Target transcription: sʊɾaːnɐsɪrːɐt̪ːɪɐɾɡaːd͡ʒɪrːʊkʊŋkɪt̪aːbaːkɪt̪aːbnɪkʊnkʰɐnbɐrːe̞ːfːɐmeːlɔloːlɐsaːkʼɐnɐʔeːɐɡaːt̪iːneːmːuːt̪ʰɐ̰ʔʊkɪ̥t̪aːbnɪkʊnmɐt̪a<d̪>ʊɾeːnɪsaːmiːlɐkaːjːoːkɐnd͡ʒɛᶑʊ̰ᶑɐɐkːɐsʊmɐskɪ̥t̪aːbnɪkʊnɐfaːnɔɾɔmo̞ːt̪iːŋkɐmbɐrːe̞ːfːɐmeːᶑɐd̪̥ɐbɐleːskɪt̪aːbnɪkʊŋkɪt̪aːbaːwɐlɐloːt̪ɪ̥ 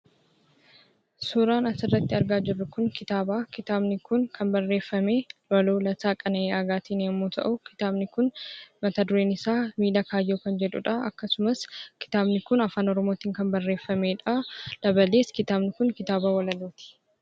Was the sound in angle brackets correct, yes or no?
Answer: yes